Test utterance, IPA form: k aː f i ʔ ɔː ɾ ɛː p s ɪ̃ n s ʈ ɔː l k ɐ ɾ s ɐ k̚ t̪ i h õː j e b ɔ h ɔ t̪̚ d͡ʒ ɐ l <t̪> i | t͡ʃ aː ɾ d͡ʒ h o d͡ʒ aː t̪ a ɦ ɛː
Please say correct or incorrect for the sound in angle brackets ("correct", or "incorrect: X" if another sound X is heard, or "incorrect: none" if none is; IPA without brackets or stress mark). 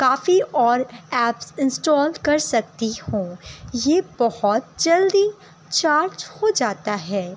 incorrect: d̪